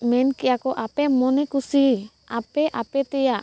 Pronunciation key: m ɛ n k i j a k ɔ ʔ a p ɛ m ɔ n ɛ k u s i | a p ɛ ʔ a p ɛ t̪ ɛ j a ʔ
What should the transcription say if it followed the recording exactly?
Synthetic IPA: m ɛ n k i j a k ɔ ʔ a p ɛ m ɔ n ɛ k u s i | a p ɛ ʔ a p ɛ t̪ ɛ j a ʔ

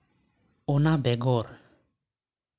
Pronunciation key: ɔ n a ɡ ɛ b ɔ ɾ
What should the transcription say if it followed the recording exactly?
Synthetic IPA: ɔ n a b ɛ ɡ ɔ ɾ

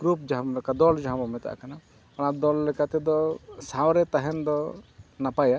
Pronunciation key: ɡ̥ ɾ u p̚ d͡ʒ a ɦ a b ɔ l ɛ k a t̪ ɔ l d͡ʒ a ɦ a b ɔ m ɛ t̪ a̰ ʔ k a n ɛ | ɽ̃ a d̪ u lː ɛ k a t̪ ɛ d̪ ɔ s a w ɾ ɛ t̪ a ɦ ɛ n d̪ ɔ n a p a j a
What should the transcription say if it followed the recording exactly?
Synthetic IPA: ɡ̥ ɾ u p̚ d͡ʒ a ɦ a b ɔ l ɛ k a d̪ ɔ l d͡ʒ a ɦ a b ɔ m ɛ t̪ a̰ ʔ k a n a | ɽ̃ a d̪ ɔ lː ɛ k a t̪ ɛ d̪ ɔ s a w ɾ ɛ t̪ a ɦ ɛ n d̪ ɔ n a p a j a

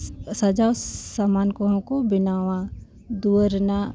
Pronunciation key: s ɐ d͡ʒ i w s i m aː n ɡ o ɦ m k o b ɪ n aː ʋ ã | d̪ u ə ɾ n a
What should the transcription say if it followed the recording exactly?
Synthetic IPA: s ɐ d͡ʒ a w s a m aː n k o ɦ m k o b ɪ n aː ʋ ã | d̪ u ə ɾ n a

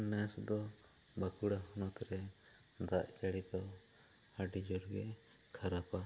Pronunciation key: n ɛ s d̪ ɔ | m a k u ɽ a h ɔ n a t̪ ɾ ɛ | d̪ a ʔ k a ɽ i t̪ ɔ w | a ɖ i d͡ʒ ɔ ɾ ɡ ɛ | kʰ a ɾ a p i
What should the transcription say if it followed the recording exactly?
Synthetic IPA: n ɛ s d̪ ɔ | b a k u ɽ a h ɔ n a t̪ ɾ ɛ | d̪ a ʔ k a ɽ i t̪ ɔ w | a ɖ i d͡ʒ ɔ ɾ ɡ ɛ | kʰ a ɾ a p a

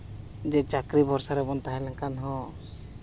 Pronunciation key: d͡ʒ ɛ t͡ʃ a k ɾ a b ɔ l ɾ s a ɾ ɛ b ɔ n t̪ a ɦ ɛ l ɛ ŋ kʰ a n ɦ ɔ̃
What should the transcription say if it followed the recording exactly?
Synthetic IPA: d͡ʒ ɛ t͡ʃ a k ɾ i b ɔ ɾ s a ɾ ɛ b ɔ n t̪ a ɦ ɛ l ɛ ŋ k a n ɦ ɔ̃

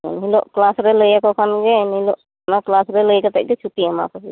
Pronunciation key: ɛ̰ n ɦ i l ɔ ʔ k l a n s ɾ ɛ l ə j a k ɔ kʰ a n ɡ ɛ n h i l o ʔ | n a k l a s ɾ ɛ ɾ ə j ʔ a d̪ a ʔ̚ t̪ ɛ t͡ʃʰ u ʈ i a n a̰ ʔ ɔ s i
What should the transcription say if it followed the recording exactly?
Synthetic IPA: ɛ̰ n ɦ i l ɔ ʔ k l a s ɾ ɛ l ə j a k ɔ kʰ a n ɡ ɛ n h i l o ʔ | n a k l a s ɾ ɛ l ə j k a t̪ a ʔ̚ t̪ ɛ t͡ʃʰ u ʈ i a m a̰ k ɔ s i

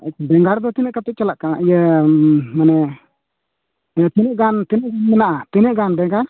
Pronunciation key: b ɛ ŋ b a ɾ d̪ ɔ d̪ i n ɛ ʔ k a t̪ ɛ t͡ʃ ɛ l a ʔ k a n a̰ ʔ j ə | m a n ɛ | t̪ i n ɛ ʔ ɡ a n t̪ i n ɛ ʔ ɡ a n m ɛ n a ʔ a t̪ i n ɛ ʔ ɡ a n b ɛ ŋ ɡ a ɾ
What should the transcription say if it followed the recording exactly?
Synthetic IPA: b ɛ ŋ ɡ a ɾ d̪ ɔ t̪ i n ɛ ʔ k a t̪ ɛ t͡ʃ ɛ l a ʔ k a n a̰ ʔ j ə | m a n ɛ | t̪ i n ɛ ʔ ɡ a n t̪ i n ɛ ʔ ɡ a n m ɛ n a ʔ a t̪ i n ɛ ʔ ɡ a n b ɛ ŋ ɡ a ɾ

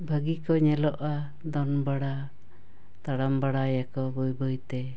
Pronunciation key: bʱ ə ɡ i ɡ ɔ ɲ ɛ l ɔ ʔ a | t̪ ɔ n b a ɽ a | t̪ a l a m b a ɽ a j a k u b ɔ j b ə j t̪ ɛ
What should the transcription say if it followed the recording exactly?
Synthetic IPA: bʱ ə ɡ i k ɔ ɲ ɛ l ɔ ʔ a | d̪ ɔ n b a ɽ a | t̪ a ɽ a m b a ɽ a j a k ɔ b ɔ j b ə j t̪ ɛ

